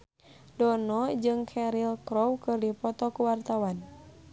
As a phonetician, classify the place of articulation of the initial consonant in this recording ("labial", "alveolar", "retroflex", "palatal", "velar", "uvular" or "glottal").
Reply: alveolar